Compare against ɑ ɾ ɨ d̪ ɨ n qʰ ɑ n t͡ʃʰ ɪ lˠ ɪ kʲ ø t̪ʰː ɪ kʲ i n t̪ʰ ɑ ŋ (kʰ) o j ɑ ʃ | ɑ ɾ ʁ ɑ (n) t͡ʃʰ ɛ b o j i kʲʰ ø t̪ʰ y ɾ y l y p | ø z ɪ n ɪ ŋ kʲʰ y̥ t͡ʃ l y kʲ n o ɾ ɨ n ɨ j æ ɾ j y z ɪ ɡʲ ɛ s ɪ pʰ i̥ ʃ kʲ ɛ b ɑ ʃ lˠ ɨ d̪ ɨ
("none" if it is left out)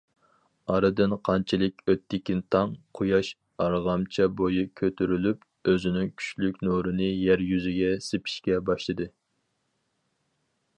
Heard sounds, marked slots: qʰ, m

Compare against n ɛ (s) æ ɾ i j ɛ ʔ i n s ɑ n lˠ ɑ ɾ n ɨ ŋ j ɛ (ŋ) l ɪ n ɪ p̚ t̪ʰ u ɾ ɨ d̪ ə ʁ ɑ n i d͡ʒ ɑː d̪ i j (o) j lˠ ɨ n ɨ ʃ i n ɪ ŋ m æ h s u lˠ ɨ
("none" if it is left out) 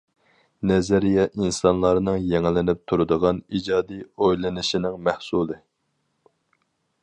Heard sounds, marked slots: z, ŋ, o

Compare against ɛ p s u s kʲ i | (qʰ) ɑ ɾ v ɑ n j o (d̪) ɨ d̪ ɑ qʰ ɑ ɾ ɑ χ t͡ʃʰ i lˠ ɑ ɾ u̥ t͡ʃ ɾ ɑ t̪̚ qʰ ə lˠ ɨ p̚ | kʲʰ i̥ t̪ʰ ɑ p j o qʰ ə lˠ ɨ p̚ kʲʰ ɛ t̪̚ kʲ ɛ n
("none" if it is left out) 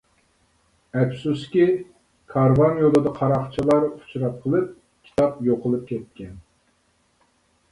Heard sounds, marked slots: kʰ, d̪

